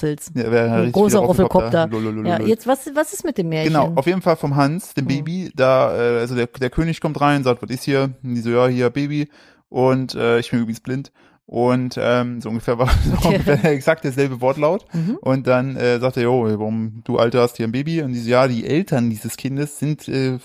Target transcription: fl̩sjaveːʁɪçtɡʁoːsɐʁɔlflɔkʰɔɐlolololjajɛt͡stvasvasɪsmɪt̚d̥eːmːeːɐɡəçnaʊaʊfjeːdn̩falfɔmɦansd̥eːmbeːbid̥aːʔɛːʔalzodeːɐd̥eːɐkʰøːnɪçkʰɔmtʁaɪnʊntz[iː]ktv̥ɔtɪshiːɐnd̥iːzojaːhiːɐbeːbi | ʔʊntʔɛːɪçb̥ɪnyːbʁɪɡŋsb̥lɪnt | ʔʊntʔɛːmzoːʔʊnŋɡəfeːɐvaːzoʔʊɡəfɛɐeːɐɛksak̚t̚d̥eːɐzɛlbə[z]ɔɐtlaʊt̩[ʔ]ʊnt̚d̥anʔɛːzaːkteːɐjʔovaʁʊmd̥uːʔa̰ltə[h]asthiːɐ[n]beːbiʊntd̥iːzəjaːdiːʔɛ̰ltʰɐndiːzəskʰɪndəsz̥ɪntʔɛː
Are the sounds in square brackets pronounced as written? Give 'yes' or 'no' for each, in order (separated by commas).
no, no, yes, yes, yes